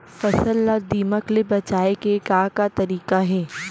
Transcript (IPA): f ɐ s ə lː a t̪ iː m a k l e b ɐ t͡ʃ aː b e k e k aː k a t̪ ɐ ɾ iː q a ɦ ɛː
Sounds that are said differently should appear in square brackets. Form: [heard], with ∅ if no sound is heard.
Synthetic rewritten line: f ɐ s ə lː a [d̪] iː m [ə] k l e b ɐ t͡ʃ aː [∅] e k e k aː k a t̪ ɐ ɾ iː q a ɦ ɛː